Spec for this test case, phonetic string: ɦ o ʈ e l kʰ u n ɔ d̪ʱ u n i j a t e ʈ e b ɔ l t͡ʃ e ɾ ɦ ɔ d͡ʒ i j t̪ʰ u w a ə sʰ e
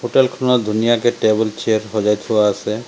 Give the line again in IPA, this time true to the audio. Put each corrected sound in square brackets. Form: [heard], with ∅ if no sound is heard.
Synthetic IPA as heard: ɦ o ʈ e l kʰ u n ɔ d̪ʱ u n i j a [k] e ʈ e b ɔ l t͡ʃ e ɾ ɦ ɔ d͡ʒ [a] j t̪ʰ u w a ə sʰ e